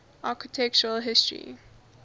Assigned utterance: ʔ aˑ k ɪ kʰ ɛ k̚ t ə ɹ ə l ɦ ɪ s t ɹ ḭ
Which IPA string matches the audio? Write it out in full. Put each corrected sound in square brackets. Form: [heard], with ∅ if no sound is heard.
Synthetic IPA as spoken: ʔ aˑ k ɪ [tʰ] ɛ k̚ [t͡ʃ] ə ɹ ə l ɦ ɪ s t ɹ ḭ